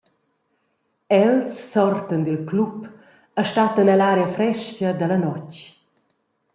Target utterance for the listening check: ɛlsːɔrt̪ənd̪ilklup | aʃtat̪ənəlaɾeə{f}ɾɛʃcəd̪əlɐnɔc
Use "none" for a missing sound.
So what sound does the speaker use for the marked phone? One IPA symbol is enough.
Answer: f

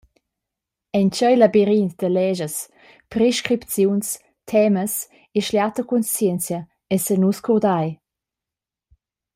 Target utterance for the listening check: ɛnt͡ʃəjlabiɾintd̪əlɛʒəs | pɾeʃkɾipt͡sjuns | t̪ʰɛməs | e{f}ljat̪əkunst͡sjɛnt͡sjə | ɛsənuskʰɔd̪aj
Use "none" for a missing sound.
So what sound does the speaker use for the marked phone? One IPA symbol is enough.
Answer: ʃ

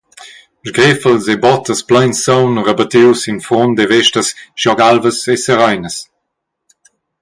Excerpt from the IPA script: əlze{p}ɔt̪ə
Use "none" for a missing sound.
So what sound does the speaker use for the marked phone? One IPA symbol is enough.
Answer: b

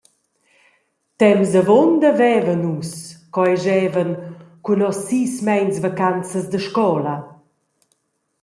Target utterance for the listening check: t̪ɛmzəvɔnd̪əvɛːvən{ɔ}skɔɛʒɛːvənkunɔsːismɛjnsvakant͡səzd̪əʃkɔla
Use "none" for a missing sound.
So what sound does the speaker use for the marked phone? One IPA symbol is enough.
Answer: u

